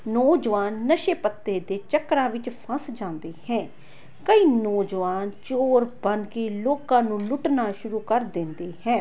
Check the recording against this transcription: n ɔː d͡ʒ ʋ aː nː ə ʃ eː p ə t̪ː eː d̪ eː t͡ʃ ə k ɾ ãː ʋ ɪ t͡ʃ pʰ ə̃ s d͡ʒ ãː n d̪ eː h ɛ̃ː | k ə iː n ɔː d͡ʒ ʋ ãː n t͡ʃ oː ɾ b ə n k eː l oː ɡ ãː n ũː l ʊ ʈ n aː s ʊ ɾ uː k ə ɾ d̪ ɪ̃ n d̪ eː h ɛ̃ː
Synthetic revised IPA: n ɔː d͡ʒ ʋ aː nː ə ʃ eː p ə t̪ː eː d̪ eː t͡ʃ ə k ɾ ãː ʋ ɪ t͡ʃ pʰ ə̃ s d͡ʒ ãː n d̪ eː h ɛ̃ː | k ə iː n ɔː d͡ʒ ʋ aː n t͡ʃ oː ɾ b ə n k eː l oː k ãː n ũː l ʊ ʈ n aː ʃ ʊ ɾ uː k ə ɾ d̪ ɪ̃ n d̪ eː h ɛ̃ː